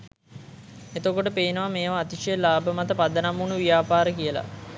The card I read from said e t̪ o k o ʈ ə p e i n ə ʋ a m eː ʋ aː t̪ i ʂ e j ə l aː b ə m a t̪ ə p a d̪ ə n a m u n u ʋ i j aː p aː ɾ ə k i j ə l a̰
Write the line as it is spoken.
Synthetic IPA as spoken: e t̪ o k o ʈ ə p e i n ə ʋ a m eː ʋ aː t̪ i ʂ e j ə l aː b ə m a t̪ ə p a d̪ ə n a m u n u ʋ i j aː p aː ɾ ə k i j ə l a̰